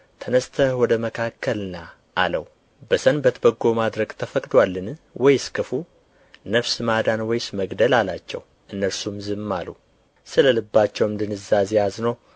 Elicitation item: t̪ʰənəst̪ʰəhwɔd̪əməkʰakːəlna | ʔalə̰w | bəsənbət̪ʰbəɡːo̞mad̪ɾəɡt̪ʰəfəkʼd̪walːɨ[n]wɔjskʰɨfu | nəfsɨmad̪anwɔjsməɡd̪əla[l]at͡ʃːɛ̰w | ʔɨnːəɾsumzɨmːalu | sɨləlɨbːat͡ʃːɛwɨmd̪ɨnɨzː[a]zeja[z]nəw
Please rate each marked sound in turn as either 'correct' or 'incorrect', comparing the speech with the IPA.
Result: correct, correct, correct, correct

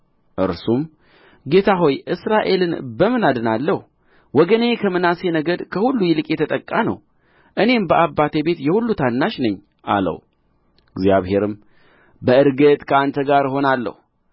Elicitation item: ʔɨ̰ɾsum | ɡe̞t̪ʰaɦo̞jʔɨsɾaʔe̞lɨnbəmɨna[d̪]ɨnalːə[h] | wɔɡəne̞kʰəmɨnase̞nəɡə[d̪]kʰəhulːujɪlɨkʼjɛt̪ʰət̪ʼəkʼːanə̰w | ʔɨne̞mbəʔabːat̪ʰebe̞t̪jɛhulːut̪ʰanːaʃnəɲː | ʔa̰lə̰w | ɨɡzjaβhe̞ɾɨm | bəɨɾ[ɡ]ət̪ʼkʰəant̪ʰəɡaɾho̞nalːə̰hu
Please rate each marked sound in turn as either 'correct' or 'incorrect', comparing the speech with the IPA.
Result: correct, correct, correct, correct

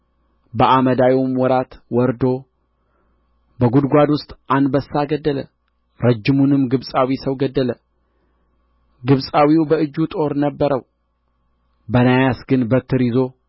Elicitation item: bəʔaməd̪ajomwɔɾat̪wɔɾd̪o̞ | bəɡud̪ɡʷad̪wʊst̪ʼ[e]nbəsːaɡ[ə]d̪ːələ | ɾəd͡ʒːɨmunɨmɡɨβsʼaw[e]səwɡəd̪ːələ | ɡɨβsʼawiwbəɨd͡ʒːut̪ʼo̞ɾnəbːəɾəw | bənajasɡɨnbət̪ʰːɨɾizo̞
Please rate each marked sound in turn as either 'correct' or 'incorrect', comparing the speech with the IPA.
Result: incorrect: a, correct, incorrect: i

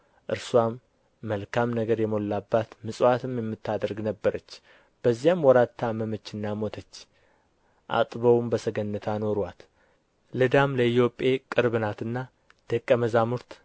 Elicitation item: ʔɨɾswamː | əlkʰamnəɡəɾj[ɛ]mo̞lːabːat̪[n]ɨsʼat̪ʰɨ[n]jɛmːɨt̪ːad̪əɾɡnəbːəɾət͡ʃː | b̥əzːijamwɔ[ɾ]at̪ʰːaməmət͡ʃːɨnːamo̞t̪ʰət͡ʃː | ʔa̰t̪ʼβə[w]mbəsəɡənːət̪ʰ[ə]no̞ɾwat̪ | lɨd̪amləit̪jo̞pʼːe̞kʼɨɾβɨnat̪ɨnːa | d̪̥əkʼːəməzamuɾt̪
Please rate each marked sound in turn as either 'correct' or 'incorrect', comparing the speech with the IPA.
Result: correct, incorrect: m, incorrect: m, correct, correct, incorrect: a

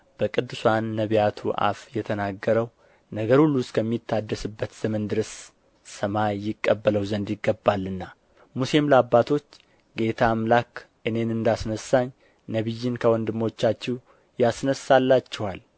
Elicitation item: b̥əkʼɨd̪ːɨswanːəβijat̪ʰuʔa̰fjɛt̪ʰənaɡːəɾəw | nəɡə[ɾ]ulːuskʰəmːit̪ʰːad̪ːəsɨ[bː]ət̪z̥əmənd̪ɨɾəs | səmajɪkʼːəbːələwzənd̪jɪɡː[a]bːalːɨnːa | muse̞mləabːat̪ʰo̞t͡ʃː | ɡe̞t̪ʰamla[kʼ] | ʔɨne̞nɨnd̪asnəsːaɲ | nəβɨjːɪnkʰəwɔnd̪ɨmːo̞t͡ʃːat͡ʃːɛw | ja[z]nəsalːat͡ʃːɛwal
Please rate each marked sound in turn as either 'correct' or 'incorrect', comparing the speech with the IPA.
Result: correct, correct, incorrect: ə, incorrect: k, incorrect: s

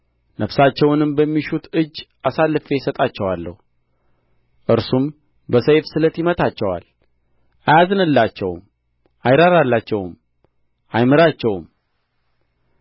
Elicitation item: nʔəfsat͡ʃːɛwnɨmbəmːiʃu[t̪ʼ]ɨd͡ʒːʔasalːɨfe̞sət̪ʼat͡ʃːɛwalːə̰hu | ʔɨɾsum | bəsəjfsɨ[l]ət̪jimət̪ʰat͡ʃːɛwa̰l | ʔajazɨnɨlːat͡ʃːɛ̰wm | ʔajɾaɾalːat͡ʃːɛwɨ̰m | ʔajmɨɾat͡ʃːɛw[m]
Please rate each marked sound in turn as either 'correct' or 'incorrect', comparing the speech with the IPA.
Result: incorrect: t̪, correct, correct

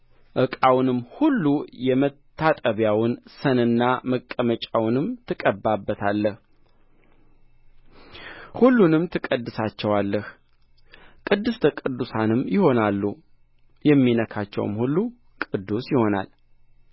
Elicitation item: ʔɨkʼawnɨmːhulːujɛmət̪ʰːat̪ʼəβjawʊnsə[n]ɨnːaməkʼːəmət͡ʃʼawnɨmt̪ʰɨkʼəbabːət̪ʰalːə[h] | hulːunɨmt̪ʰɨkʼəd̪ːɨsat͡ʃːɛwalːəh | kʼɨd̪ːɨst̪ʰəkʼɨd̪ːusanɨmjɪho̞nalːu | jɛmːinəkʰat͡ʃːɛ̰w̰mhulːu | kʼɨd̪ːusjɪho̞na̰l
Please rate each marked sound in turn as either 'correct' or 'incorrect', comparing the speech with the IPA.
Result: correct, correct

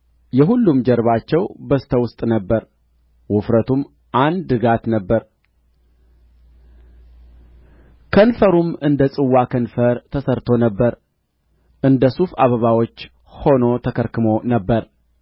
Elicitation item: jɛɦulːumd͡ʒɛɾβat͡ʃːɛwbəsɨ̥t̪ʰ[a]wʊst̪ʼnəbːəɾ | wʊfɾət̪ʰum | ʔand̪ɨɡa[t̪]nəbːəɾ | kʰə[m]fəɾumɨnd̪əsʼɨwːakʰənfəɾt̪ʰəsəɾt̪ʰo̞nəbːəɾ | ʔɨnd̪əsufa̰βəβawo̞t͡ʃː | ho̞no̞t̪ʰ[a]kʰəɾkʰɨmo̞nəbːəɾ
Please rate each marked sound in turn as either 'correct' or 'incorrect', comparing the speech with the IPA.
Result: incorrect: ə, correct, incorrect: n, incorrect: ə

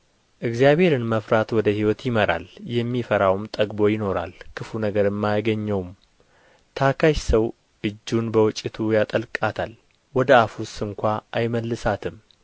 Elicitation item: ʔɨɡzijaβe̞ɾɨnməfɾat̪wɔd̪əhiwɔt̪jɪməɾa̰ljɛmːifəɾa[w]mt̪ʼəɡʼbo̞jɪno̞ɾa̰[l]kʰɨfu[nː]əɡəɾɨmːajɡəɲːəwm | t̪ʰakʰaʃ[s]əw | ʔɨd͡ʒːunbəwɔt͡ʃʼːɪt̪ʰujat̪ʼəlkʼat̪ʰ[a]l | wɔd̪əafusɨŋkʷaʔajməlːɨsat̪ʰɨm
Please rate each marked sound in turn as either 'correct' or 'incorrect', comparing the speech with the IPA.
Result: correct, correct, incorrect: n, correct, correct

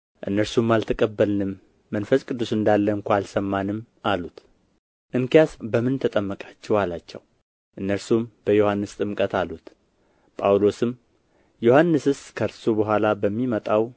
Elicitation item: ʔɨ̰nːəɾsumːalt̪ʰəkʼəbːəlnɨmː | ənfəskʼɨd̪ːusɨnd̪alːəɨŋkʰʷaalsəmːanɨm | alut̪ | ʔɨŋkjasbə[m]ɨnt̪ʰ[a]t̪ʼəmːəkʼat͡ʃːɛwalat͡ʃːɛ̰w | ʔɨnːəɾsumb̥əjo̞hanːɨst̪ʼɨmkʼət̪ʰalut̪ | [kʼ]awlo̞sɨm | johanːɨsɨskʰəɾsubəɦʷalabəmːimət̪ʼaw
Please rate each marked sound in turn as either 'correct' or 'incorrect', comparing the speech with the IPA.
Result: correct, incorrect: ə, incorrect: pʼ

